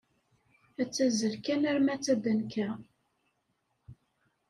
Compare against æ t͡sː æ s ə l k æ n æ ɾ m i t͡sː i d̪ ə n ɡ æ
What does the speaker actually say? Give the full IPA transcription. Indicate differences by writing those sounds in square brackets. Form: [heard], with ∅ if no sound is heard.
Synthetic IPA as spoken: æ t͡sː æ [z] ə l k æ n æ ɾ m [æ] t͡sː [æ] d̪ ə n [k] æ